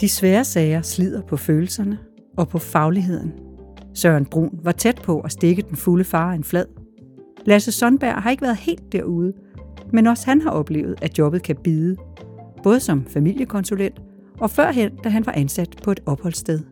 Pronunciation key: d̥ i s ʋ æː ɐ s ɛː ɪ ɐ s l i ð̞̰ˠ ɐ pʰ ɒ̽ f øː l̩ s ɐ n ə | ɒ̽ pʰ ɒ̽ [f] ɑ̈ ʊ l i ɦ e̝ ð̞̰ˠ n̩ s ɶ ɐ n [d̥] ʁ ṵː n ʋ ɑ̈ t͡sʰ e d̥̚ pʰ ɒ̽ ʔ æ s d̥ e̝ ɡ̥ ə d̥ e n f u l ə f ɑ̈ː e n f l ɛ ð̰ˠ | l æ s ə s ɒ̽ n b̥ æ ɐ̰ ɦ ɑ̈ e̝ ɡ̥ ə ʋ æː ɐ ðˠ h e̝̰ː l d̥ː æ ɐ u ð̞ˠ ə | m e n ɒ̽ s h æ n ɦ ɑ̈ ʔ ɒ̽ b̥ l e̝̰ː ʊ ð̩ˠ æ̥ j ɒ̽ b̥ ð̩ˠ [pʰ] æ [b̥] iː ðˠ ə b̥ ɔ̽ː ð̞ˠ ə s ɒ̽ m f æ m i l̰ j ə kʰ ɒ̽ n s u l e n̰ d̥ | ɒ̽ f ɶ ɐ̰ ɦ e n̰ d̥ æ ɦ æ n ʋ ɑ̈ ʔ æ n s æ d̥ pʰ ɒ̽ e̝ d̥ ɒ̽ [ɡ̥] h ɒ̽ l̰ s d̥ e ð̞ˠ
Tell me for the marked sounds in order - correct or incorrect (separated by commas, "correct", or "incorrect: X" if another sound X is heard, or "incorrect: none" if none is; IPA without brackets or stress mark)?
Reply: correct, incorrect: b̥, incorrect: kʰ, correct, incorrect: b̥